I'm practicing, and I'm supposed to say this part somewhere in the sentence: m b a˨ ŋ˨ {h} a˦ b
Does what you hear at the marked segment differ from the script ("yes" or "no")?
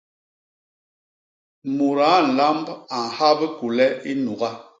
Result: no